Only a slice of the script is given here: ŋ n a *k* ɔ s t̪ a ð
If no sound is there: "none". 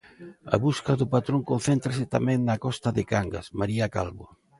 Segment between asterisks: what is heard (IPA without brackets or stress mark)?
k